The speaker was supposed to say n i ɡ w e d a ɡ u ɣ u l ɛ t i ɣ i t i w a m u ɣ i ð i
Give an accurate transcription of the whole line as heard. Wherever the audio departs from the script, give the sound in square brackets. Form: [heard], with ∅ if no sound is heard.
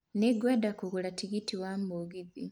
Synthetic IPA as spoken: n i ɡ w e d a [k] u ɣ u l [a] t i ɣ i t i w a m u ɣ i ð i